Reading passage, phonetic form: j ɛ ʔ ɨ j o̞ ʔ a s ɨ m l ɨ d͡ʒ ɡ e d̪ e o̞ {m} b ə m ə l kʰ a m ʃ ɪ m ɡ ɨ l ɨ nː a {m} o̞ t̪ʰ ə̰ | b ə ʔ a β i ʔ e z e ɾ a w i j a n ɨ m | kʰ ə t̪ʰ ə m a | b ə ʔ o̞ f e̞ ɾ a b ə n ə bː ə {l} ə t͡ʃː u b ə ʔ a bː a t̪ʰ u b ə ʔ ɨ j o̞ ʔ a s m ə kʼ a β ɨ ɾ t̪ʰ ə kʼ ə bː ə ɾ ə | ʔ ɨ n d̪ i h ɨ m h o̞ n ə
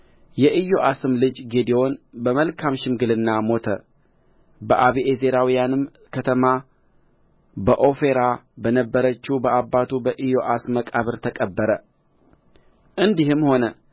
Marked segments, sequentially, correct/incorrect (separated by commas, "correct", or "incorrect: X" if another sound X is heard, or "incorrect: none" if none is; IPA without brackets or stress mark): incorrect: n, correct, incorrect: ɾ